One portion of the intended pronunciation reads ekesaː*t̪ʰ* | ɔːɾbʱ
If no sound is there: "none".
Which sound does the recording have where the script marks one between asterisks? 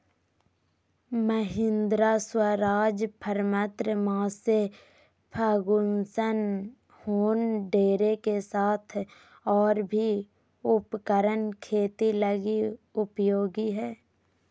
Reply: t̪ʰ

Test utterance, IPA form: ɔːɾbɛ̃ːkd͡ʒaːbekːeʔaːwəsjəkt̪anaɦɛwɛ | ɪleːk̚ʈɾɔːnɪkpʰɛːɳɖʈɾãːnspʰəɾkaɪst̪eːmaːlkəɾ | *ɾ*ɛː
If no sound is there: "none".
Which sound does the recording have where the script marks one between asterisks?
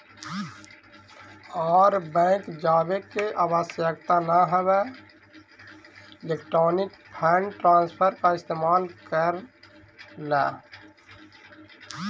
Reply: l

